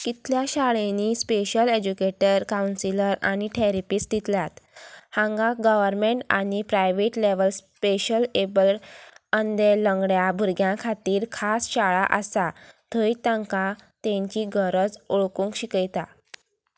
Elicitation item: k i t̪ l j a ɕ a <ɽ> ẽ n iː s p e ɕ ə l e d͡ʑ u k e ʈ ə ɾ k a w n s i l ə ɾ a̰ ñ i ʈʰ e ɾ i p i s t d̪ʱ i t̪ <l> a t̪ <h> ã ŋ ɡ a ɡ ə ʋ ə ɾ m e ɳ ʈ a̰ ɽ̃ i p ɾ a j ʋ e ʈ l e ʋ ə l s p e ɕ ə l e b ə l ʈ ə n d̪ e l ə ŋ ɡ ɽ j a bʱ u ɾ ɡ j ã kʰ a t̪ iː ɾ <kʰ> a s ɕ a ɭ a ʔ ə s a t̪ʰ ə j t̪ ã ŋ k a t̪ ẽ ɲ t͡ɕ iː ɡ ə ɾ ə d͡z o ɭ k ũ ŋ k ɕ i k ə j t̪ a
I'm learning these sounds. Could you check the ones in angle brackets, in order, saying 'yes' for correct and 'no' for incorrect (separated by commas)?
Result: no, yes, yes, yes